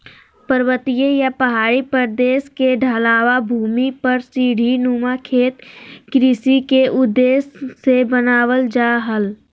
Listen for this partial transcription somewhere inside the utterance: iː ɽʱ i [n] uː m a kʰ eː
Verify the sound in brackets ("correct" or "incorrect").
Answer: correct